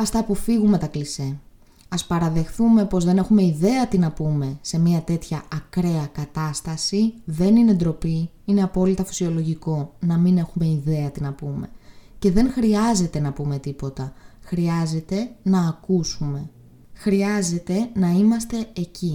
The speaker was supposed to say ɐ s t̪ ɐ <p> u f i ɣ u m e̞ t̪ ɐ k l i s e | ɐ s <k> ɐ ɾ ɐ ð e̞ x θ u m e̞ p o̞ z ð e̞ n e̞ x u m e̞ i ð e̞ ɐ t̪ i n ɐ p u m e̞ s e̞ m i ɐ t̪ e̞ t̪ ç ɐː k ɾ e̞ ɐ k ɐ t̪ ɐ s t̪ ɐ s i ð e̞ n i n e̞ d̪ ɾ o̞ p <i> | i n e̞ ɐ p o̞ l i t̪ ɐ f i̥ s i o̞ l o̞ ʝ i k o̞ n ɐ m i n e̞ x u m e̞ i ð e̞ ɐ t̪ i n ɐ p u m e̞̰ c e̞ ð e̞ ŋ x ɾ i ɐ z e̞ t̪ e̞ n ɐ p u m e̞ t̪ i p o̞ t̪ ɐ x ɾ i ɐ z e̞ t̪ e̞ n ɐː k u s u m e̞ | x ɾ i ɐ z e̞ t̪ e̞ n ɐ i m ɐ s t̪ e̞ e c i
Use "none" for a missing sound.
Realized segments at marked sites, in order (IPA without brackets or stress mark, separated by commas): p, p, i